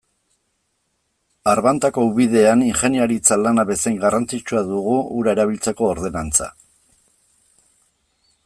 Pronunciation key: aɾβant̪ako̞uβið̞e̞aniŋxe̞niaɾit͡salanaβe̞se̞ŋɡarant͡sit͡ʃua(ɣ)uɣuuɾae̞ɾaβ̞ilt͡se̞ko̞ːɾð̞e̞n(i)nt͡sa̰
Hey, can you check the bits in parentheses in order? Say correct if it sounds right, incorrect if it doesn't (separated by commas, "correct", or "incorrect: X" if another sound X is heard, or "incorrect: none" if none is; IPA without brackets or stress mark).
incorrect: ð, incorrect: a